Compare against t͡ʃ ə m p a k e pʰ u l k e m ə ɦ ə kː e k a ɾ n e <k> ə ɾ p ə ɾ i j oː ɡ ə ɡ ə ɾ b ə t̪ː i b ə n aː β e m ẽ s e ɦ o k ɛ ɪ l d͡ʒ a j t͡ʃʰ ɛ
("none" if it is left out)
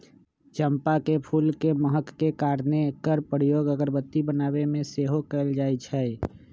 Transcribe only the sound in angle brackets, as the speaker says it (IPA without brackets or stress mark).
k